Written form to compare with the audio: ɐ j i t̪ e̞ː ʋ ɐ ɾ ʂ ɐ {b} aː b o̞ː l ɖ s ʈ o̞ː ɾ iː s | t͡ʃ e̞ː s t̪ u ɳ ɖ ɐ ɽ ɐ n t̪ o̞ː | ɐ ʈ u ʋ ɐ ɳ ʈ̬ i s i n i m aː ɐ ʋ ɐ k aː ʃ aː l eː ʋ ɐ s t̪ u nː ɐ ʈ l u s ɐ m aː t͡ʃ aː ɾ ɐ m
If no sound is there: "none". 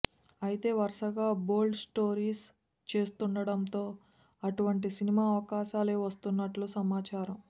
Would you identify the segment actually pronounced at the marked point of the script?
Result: ɡ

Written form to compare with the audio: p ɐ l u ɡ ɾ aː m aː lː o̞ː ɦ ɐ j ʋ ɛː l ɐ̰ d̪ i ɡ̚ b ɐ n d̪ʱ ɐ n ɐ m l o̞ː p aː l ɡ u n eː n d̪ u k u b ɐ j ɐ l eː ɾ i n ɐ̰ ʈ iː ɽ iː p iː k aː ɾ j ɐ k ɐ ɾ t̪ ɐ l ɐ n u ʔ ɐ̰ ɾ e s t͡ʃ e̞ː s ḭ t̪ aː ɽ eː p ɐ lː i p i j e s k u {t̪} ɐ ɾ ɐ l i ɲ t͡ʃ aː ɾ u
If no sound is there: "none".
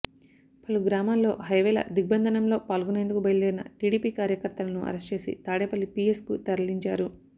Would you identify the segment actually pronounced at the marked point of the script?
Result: t̪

